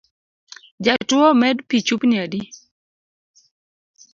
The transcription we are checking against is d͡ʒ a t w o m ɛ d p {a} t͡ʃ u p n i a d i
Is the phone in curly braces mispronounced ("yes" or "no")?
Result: yes